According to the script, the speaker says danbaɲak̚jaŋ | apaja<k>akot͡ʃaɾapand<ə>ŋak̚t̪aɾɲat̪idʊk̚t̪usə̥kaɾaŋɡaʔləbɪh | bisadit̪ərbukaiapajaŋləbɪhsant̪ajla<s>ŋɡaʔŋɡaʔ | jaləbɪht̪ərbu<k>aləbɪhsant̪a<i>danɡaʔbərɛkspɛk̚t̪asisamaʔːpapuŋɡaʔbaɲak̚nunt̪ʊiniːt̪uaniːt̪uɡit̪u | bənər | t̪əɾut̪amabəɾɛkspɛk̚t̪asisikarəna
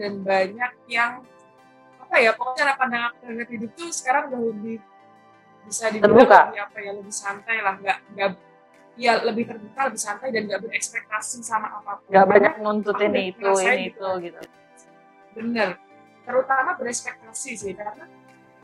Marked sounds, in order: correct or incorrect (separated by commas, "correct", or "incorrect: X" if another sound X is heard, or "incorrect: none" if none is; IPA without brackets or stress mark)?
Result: incorrect: p, incorrect: a, incorrect: h, correct, incorrect: j